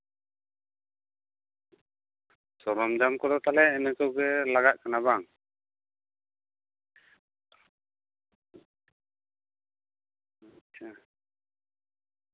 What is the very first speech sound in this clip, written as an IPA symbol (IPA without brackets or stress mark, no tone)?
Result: s